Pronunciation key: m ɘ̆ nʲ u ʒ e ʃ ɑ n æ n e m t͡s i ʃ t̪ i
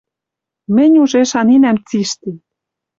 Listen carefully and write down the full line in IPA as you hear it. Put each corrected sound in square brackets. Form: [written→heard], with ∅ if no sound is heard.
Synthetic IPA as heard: m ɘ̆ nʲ u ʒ e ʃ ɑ n [æ→i] n [e→æ] m t͡s i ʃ t̪ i